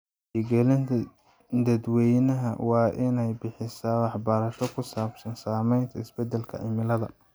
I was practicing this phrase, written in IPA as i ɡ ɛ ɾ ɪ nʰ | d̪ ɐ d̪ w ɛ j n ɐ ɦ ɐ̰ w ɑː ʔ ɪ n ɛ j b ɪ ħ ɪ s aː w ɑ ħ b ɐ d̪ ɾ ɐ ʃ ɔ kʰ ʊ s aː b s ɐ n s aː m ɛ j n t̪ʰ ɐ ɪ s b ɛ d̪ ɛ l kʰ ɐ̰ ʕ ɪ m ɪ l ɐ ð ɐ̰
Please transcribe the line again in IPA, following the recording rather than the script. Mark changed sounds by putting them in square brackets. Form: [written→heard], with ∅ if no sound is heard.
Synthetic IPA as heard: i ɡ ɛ [ɾ→l] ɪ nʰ | d̪ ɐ d̪ w ɛ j n ɐ ɦ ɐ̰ w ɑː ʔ ɪ n ɛ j b ɪ ħ ɪ s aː w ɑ ħ b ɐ [d̪→∅] ɾ ɐ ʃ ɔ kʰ ʊ s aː b s ɐ n s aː m ɛ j n t̪ʰ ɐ ɪ s b ɛ d̪ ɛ l kʰ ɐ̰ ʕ ɪ m ɪ l ɐ ð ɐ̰